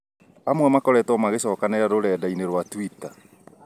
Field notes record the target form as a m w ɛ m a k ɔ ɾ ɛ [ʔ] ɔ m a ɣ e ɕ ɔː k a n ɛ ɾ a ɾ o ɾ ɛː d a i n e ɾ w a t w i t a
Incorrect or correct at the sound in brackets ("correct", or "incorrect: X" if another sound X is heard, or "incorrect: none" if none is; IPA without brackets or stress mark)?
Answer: incorrect: t